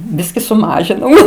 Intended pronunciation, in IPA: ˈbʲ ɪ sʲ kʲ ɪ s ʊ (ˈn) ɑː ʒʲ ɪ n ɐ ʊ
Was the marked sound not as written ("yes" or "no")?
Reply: yes